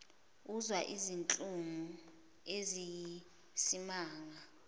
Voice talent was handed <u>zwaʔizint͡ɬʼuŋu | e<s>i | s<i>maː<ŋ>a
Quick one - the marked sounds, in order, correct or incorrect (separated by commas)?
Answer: correct, incorrect, correct, correct